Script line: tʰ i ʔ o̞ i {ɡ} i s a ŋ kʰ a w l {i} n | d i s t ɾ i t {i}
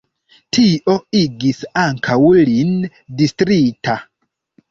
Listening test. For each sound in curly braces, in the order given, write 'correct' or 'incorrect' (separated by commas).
correct, correct, incorrect